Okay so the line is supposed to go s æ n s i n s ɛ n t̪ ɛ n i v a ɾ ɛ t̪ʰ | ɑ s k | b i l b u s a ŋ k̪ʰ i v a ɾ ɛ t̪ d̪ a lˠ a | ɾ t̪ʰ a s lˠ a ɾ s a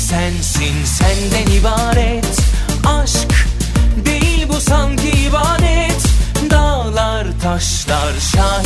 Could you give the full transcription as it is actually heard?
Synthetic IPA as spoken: s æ n s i n s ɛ n d̪ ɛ n i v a ɾ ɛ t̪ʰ | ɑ ʃ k | b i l b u s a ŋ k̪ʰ i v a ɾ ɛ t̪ d̪ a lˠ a | ɾ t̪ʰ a ʃ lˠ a ɾ ʃ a